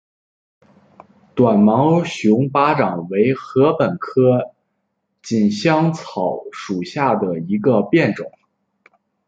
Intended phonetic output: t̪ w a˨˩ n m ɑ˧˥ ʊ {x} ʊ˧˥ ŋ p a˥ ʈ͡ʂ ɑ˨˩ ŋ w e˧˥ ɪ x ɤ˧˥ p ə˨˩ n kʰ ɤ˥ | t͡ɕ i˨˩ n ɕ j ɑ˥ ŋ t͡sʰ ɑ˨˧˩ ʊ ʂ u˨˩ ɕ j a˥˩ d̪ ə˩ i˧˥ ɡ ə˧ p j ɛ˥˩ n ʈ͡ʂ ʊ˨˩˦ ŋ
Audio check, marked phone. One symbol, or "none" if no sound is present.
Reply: ɕ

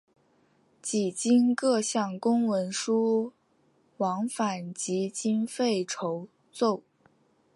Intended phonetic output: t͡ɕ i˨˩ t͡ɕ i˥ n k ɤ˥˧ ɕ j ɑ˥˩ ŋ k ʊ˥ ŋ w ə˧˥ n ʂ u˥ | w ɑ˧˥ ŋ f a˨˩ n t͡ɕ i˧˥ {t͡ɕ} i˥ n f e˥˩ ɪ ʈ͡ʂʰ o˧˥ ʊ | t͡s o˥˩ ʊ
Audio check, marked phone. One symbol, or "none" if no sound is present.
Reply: t͡ɕ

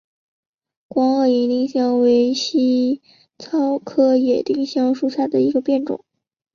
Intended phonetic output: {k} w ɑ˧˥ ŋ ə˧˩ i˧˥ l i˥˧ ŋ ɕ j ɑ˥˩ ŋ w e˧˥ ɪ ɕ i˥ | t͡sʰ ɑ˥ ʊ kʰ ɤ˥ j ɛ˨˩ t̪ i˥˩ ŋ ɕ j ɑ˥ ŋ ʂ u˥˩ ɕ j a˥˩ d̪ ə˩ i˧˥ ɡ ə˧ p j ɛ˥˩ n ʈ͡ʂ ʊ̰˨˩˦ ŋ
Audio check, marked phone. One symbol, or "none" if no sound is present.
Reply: k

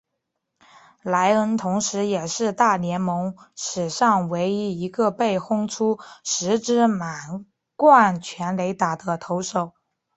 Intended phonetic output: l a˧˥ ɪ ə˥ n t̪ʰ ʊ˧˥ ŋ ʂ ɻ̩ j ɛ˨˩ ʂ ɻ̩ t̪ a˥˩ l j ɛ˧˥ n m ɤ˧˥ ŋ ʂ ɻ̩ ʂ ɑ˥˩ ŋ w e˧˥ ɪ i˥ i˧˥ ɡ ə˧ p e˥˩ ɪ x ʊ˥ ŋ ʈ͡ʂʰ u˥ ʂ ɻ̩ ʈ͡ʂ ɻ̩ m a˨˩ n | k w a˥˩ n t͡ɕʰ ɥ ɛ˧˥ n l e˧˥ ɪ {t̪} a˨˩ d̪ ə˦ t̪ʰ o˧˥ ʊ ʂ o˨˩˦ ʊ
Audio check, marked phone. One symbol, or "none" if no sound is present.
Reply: t̪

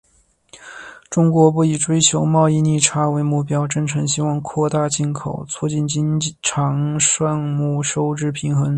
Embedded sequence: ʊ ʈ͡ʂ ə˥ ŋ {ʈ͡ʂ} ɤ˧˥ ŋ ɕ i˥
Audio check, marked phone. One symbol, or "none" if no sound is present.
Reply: ʈ͡ʂʰ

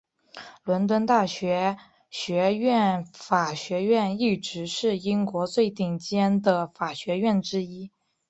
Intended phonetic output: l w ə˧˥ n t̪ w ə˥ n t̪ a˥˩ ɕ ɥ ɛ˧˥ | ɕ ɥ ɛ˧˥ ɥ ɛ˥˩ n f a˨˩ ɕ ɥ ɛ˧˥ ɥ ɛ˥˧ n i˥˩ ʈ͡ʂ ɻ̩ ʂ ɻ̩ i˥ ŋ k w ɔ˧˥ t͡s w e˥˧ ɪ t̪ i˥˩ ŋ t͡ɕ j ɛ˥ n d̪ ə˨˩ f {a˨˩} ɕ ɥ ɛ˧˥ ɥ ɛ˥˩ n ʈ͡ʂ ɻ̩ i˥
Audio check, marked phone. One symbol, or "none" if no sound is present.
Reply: a˨˩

